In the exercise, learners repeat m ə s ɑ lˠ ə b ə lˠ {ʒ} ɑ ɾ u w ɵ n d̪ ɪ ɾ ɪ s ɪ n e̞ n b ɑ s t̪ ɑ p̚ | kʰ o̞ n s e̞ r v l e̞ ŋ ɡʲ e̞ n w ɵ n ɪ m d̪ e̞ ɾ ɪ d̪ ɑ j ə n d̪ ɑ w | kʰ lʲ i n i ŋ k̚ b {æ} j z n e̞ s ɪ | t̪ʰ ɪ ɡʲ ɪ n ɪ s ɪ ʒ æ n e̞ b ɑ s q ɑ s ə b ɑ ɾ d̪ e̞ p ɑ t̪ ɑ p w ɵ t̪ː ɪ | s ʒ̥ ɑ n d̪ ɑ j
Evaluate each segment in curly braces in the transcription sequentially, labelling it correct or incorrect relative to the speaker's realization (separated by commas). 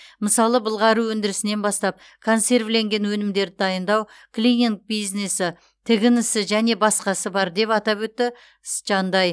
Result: incorrect, incorrect